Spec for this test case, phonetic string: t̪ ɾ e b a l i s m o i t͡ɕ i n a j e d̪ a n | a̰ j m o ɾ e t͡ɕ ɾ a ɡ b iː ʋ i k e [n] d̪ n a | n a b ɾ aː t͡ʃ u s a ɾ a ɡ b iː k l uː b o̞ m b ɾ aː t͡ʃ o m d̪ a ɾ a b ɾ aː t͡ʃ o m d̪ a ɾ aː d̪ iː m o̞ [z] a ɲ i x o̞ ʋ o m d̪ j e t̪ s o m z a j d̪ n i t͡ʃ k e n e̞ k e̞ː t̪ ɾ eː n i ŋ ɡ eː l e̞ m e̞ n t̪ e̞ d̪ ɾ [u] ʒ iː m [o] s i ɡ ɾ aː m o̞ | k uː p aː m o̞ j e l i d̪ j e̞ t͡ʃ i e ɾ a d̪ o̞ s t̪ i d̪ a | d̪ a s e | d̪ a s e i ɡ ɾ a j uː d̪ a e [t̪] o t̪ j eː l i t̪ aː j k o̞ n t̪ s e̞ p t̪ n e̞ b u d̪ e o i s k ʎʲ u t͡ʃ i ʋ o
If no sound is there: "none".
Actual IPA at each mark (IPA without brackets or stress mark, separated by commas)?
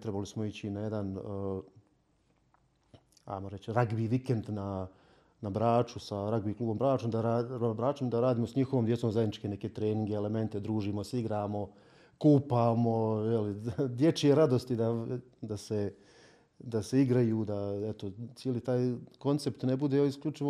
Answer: n, s, uː, o, t̪